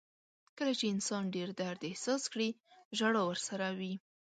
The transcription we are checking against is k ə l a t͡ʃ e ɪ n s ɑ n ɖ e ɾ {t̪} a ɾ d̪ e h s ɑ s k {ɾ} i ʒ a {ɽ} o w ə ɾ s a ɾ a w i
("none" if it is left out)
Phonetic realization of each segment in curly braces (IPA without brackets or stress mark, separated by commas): d̪, ɽ, ɽ